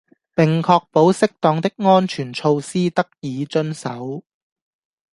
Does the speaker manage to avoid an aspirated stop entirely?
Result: no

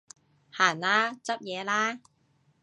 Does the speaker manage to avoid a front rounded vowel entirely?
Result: yes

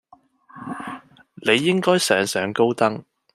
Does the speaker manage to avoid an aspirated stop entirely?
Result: yes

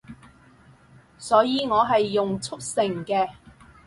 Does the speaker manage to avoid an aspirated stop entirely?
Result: no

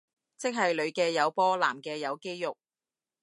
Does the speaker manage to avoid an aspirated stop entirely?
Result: yes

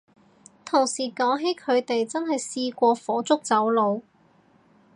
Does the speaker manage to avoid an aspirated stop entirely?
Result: no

